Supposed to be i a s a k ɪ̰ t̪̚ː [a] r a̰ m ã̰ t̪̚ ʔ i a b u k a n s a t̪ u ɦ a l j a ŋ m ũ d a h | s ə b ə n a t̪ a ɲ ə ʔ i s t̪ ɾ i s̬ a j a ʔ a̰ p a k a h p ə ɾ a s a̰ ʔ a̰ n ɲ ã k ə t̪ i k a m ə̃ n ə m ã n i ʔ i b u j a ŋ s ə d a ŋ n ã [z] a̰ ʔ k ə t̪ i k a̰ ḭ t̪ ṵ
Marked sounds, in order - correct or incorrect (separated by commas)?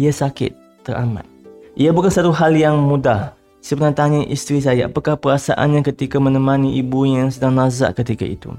incorrect, correct